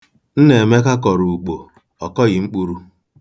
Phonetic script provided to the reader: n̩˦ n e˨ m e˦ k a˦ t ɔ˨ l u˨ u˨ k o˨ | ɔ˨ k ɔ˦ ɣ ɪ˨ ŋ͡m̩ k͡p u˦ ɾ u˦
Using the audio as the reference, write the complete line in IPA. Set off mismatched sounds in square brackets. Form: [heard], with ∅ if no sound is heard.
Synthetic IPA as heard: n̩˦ n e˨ m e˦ k a˦ [k] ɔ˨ [ɾ] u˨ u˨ [k͡p] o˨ | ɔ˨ k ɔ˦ ɣ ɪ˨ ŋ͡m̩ k͡p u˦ ɾ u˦